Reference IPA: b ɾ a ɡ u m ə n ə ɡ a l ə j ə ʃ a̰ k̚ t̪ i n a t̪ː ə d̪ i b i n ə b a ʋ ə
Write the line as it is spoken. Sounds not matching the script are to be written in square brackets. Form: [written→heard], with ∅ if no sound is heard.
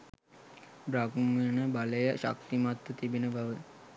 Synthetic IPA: b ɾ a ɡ u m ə n ə [ɡ→b] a l ə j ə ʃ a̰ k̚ t̪ i [n→m] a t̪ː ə [d̪→t̪] i b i n ə b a ʋ ə